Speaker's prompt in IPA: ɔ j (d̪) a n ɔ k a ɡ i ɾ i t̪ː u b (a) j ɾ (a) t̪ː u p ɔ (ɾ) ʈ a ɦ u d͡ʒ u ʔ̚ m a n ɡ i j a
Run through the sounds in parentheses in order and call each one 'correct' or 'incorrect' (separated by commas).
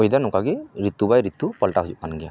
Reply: correct, correct, incorrect, incorrect